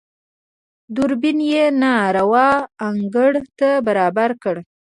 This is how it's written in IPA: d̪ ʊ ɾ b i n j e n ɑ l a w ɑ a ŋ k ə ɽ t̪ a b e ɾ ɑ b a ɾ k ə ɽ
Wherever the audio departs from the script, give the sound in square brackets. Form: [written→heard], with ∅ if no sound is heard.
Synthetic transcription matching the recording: d̪ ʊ ɾ b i n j e n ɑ [l→ɾ] a w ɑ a ŋ [k→ɡ] ə ɽ t̪ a b [e→a] ɾ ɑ b a ɾ k ə ɽ